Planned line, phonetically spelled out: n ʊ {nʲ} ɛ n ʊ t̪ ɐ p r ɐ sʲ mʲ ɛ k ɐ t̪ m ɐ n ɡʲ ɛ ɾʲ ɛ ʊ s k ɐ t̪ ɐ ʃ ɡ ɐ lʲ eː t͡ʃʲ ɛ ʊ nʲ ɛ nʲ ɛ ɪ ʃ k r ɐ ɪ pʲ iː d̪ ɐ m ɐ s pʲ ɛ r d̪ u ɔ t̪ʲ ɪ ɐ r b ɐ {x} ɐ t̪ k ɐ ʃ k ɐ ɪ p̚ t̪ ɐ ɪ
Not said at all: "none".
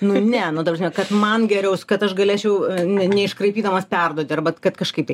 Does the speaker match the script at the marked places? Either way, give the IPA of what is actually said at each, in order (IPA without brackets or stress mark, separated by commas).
nʲ, k